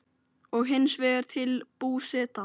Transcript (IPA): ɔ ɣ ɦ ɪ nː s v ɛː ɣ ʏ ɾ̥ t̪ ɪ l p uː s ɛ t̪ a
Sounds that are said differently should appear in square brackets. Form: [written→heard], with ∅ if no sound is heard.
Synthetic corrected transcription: ɔ ɣ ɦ ɪ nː s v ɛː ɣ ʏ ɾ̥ [t̪→t̪ʰ] ɪ l p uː s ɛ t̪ a

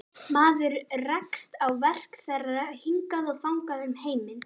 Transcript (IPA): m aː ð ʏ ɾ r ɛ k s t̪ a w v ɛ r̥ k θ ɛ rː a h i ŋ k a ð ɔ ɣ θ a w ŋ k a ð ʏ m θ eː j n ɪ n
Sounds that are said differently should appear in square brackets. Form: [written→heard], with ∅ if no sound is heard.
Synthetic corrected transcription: m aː ð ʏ ɾ r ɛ k s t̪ a w v ɛ r̥ k θ ɛ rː a h i ŋ k a ð ɔ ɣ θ a w ŋ k a ð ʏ m [θ→h] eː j [n→m] ɪ n

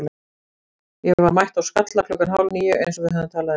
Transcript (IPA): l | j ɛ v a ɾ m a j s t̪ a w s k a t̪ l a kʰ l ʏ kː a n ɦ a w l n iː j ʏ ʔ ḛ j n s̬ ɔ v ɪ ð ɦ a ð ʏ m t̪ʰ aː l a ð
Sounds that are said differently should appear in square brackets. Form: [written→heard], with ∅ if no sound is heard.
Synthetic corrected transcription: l | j ɛ v a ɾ m a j [s→h] t̪ a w s k a t̪ l a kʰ l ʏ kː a n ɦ a w l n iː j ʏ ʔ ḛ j n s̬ ɔ v ɪ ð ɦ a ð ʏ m t̪ʰ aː l a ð

